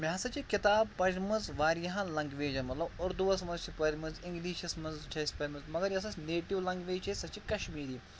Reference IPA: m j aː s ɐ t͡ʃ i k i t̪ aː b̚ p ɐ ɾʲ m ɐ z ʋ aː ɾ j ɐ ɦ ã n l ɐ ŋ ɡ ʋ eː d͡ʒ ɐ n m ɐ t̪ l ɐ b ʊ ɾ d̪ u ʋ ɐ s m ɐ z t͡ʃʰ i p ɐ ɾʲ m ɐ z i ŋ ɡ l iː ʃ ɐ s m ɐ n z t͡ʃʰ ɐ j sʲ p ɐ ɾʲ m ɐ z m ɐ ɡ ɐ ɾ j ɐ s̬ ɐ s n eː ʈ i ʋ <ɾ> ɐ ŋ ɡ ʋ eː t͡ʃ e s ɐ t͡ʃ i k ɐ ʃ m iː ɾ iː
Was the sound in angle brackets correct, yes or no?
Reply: no